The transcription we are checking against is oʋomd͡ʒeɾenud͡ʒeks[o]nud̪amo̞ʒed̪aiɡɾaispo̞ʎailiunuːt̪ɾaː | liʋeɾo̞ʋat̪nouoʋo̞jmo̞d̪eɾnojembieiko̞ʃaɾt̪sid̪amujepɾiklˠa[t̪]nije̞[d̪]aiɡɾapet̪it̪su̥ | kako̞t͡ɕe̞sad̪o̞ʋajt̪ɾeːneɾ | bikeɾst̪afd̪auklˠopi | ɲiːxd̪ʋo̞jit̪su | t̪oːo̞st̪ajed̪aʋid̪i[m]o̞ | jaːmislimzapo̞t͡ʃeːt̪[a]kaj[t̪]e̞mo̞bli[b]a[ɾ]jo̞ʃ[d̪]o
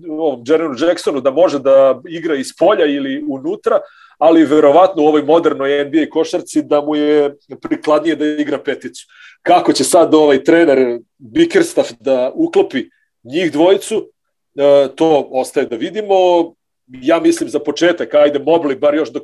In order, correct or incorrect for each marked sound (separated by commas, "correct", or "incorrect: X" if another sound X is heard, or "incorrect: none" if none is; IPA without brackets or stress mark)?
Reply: correct, incorrect: d̪, correct, correct, correct, incorrect: d̪, correct, correct, correct